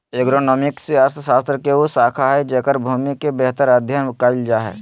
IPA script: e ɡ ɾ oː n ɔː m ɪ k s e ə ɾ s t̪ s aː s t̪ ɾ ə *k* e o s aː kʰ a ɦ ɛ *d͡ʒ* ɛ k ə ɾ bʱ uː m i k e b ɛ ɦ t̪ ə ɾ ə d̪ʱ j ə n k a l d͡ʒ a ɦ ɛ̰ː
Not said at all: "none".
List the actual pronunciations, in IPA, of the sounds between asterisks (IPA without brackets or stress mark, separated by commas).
k, d͡ʒ